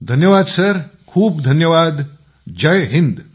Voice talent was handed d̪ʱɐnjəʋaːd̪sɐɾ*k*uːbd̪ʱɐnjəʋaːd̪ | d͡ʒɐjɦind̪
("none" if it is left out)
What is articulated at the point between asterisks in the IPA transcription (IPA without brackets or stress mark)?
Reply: kʰ